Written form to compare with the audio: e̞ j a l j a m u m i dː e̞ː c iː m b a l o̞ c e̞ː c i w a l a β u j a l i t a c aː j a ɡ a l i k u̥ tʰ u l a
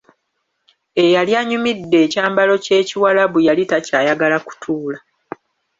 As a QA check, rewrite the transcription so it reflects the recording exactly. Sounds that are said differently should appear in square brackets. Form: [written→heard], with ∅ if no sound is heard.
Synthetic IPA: e̞ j a l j a [m→ɲ] u m i dː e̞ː c [iː→aː] m b a l o̞ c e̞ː c i w a l a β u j a l i t a c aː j a ɡ a l [i→a] k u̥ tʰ [u→uː] l a